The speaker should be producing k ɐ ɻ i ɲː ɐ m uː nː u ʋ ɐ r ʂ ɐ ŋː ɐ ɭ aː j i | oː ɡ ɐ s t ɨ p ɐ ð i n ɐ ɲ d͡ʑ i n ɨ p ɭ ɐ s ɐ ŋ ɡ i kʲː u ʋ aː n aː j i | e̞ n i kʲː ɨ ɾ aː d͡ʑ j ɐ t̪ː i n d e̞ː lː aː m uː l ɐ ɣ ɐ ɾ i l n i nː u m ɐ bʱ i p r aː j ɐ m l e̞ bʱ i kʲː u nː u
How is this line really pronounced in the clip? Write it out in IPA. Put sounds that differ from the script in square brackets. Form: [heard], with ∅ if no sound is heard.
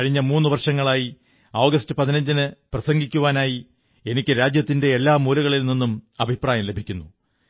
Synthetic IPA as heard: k ɐ ɻ i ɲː ɐ m uː nː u ʋ ɐ r ʂ ɐ ŋː ɐ ɭ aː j i | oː ɡ ɐ s t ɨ p ɐ ð i n ɐ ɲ d͡ʑ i n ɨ p [r] ɐ s ɐ ŋ ɡ i kʲː u ʋ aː n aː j i | e̞ n i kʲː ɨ ɾ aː d͡ʑ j ɐ t̪ː i n d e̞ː lː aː m uː l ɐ ɣ ɐ [ɭ] i l n i nː u m ɐ bʱ i p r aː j ɐ m l e̞ bʱ i kʲː u nː u